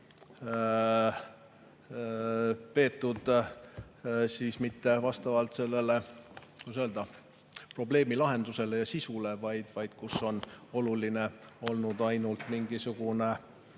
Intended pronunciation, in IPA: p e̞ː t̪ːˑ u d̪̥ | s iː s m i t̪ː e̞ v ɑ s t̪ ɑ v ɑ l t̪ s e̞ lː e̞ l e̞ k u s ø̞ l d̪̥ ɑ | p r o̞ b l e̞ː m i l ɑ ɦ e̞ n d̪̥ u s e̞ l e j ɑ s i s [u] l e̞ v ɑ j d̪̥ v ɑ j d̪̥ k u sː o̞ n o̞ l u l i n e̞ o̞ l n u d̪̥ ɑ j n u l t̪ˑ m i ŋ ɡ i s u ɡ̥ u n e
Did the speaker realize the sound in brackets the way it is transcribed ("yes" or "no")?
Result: yes